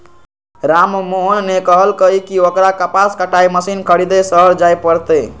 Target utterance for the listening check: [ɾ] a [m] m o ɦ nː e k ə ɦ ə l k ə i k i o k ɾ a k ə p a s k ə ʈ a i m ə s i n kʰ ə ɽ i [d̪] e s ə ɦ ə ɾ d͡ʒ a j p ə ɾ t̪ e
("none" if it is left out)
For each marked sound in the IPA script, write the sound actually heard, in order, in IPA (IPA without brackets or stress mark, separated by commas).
ɾ, m, d̪